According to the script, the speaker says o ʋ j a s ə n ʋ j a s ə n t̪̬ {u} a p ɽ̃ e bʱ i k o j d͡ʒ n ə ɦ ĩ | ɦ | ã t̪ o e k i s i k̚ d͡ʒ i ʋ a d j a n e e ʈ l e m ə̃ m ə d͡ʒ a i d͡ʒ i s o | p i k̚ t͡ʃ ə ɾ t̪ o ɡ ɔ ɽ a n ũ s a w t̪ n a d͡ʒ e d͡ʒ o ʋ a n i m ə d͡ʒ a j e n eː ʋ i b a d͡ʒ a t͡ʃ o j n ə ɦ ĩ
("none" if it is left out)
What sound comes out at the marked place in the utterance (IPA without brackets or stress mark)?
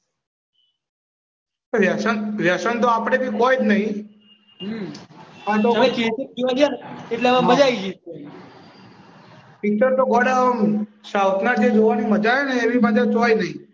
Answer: o